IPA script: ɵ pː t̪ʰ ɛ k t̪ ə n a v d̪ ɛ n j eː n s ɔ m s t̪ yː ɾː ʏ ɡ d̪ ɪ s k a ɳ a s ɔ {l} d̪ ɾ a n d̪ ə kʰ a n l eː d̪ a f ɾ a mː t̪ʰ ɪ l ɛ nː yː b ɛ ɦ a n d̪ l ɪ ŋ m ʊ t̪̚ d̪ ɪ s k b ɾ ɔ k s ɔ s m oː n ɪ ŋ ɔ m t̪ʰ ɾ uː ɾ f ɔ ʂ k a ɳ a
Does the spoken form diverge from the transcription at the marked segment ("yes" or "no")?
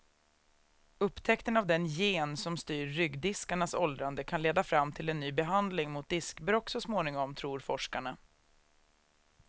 no